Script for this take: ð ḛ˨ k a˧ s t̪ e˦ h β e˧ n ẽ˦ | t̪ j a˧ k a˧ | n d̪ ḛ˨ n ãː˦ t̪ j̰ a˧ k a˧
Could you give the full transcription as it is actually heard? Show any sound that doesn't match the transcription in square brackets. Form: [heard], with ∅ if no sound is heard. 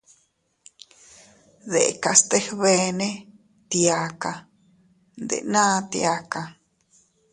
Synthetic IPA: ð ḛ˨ k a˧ s t̪ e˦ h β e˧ n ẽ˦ | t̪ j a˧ k a˧ | n d̪ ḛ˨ n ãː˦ t̪ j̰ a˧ k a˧